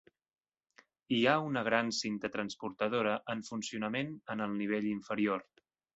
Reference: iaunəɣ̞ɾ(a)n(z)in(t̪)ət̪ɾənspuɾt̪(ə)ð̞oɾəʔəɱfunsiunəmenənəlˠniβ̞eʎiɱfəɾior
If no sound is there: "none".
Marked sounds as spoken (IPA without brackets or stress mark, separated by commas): a, s, t̪, ə